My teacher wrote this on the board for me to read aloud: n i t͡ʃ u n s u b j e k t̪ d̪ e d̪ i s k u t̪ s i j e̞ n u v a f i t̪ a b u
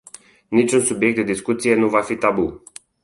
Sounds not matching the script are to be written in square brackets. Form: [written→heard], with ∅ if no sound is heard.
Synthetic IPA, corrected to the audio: n i t͡ʃ u n s u b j e k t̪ d̪ e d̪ i s k u t̪ s i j e̞ n u v a f i t̪ a b u